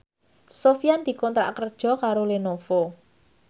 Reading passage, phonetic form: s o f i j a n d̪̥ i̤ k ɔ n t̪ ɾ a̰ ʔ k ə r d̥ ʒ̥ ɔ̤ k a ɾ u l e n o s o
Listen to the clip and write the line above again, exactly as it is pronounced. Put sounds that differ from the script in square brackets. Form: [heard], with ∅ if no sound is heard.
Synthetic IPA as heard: s o f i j a n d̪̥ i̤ k ɔ n t̪ ɾ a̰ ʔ k ə r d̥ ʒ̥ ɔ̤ k a ɾ [o] l e n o [f] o